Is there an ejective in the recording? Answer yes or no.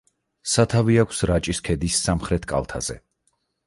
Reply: yes